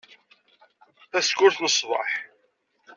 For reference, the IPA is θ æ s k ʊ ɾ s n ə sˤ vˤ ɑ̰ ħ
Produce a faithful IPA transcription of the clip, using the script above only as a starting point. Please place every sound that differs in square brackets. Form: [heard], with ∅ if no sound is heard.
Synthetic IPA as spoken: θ æ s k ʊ ɾ [θ] n ə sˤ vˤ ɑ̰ ħ